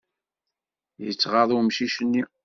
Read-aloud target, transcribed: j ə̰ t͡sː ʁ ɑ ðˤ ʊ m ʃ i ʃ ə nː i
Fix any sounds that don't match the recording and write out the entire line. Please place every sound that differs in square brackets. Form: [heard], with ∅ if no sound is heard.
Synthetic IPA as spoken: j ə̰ t͡sː ʁ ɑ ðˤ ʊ m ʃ i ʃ ə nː i